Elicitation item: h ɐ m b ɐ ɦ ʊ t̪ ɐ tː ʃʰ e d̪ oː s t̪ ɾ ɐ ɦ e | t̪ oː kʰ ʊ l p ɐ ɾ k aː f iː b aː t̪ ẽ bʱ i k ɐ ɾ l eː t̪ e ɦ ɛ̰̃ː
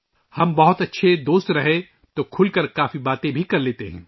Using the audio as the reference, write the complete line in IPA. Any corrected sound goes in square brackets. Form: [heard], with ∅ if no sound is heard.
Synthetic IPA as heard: h ɐ m b ɐ ɦ ʊ t̪ ɐ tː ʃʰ e d̪ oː s t̪ ɾ ɐ ɦ e | t̪ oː kʰ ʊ l [k] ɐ ɾ k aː f [i] b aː t̪ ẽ bʱ i k ɐ ɾ l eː t̪ e ɦ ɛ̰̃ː